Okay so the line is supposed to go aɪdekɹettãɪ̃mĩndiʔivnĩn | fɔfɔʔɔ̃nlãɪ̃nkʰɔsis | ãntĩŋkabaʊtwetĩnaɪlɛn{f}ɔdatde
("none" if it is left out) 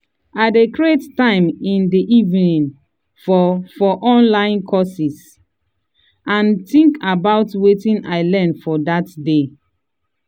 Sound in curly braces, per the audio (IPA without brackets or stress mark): f